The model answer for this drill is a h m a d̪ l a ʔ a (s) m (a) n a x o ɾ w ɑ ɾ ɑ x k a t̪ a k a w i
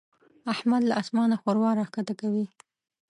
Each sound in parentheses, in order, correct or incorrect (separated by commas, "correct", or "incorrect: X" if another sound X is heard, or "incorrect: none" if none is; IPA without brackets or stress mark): correct, incorrect: ɑ